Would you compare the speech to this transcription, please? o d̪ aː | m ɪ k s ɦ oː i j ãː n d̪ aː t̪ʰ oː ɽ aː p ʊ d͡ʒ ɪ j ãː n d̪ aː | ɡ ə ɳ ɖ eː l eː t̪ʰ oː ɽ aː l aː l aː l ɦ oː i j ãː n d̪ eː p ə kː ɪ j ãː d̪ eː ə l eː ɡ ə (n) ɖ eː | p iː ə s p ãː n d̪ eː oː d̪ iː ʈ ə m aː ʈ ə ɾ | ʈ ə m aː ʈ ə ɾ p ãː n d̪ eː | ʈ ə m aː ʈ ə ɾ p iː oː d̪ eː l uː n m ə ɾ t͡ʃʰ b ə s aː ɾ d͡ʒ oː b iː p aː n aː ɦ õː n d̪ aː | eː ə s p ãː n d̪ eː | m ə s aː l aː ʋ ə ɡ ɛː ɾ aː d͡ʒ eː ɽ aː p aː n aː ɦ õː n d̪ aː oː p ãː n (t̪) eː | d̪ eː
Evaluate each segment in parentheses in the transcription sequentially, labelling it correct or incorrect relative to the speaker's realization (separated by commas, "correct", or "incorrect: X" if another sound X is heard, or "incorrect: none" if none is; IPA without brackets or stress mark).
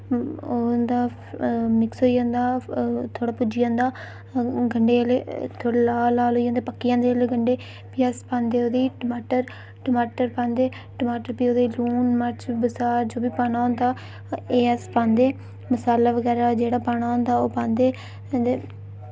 incorrect: ɳ, incorrect: d̪